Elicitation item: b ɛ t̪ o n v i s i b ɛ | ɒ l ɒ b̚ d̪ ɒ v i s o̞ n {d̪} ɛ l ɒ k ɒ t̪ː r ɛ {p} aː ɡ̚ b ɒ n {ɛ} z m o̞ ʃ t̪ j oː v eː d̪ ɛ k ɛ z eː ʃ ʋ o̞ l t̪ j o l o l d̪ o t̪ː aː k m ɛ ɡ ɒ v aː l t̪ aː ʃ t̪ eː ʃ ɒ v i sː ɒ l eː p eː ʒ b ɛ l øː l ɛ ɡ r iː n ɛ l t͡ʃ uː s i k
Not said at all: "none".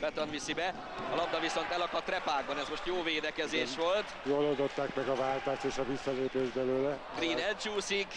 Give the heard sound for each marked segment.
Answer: t̪, p, ɛ

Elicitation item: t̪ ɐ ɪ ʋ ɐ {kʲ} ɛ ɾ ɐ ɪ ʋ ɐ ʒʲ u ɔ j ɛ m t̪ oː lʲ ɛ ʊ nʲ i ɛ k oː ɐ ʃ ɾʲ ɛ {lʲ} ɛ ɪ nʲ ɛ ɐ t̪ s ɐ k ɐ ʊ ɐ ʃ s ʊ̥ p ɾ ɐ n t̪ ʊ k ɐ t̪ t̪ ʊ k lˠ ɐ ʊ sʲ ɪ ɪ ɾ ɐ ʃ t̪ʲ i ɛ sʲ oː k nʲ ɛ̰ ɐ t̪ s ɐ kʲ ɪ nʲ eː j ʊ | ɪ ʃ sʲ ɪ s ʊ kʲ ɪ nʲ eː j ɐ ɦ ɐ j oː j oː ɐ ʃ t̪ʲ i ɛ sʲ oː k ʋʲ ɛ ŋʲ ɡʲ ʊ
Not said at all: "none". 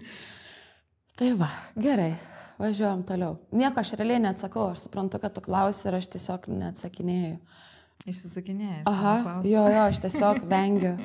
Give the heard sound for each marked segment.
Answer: ɡʲ, lʲ

